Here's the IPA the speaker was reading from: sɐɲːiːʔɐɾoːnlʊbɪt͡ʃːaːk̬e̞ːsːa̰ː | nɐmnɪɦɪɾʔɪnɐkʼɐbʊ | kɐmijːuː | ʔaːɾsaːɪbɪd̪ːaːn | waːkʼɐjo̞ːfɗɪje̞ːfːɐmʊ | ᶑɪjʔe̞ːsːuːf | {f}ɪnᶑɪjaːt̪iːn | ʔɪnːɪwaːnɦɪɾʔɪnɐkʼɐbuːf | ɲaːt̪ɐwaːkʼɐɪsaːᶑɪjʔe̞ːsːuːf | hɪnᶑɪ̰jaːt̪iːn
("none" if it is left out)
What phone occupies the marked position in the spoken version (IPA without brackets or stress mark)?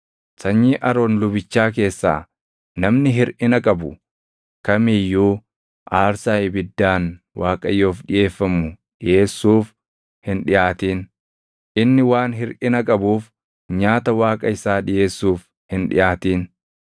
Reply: h